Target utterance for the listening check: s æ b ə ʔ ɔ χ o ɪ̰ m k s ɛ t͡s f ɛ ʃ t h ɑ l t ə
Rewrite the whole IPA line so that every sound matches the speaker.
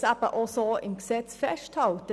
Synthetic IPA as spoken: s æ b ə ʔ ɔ s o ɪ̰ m k s ɛ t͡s f ɛ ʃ t h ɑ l t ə